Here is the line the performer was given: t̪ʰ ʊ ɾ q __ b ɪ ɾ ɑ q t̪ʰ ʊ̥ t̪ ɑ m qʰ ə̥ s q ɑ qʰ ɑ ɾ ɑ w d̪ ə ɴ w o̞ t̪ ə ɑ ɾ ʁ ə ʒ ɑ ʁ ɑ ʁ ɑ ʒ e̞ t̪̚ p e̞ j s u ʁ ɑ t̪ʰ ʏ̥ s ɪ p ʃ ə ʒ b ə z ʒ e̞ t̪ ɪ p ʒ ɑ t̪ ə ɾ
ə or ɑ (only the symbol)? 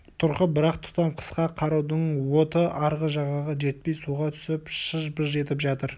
ə